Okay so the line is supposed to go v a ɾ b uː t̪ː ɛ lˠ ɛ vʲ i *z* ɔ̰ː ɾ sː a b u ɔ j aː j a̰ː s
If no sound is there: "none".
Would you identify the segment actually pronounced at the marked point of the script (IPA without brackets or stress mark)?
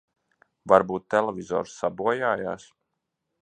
z